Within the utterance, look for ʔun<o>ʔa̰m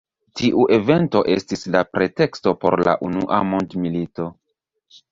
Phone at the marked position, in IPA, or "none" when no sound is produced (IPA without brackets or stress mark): u